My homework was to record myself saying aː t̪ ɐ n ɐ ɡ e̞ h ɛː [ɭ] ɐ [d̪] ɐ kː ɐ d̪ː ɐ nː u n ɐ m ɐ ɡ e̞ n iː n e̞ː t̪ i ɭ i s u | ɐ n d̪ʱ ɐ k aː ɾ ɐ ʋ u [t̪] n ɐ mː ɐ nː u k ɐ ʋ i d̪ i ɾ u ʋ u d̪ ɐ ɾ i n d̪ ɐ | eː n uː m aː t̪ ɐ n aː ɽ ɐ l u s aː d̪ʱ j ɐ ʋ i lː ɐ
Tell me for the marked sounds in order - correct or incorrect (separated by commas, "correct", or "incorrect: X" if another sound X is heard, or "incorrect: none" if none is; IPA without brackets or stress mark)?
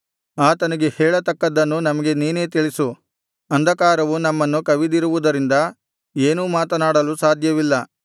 correct, incorrect: t̪, incorrect: none